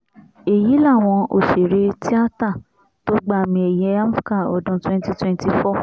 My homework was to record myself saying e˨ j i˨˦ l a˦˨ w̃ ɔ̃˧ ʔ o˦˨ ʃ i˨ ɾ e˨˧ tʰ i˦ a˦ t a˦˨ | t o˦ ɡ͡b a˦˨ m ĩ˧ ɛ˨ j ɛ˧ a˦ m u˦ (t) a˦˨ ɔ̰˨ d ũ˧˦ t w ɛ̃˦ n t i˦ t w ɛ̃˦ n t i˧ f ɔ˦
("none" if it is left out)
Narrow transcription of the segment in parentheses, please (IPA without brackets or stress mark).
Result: k